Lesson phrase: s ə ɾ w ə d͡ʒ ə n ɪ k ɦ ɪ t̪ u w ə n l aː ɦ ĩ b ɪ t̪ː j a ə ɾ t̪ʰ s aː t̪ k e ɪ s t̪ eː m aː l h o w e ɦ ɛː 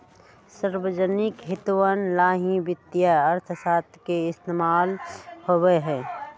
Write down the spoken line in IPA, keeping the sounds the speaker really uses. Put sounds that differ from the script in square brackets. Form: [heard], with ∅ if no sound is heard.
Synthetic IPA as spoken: s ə ɾ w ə d͡ʒ ə n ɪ k ɦ ɪ t̪ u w ə n l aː ɦ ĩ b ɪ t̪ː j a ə ɾ t̪ʰ s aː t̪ k e ɪ s t̪ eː m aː l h o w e ɦ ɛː